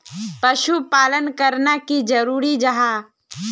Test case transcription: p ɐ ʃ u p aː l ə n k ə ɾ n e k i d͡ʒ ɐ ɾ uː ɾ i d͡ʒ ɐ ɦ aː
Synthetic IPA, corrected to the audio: p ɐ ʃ u p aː l ə n k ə ɾ n a k i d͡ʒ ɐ ɾ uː ɾ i d͡ʒ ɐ ɦ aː